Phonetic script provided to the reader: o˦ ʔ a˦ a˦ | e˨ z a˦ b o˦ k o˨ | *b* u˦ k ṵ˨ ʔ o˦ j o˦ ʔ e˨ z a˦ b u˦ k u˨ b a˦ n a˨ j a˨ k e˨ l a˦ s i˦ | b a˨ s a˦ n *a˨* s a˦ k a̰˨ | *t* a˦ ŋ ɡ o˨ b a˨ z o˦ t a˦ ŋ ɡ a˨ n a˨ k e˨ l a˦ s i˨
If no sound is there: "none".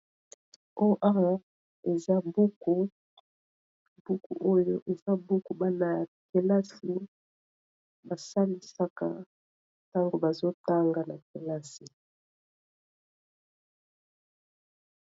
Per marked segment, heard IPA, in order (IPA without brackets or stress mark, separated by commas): b, i˨, t